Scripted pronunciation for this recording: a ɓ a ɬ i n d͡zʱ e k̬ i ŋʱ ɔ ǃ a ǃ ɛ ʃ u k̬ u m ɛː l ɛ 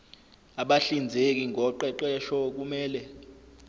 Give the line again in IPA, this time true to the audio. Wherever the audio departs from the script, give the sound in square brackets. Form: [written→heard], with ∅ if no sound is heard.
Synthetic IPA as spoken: a ɓ a ɬ i n d͡zʱ e k̬ i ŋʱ ɔ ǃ [a→ɛ] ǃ ɛ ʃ [u→ɔ] k̬ u m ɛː l ɛ